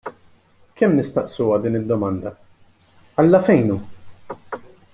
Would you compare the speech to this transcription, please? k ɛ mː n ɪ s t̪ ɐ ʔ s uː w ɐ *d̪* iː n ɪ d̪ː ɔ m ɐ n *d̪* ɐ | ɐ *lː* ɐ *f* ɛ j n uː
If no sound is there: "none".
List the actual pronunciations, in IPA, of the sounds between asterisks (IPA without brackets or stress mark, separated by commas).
d̪, d̪, lː, f